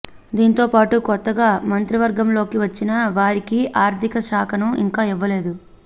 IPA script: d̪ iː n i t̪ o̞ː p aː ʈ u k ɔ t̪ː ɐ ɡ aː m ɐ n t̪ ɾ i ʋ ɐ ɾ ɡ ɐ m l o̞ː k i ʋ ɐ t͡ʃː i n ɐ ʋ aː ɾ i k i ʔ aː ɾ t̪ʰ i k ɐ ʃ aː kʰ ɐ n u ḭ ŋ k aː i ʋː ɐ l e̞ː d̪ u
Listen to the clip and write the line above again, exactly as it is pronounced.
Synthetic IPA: d̪ iː n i t̪ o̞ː p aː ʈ u k ɔ t̪ː ɐ ɡ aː m ɐ n t̪ ɾ i ʋ ɐ ɾ ɡ ɐ m l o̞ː k i ʋ ɐ t͡ʃː i n ɐ ʋ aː ɾ i k i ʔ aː ɾ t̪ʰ i k ɐ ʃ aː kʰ ɐ n u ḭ ŋ k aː i ʋː ɐ l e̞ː d̪ u